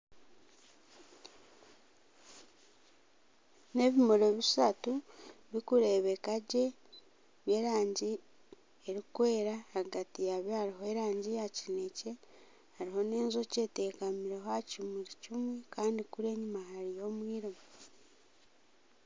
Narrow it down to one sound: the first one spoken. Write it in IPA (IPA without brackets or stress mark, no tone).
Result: n